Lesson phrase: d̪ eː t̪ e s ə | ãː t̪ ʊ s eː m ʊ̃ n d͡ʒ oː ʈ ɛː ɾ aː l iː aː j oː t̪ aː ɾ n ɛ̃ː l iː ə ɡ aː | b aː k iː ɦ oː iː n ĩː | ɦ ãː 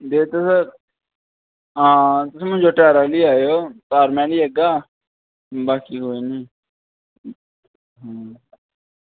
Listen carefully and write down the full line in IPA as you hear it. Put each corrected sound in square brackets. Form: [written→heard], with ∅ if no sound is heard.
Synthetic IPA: d̪ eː t̪ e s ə | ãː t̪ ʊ s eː m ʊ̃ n d͡ʒ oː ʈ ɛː ɾ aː l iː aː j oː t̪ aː ɾ [n→m] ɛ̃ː l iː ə ɡ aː | b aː k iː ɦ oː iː n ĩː | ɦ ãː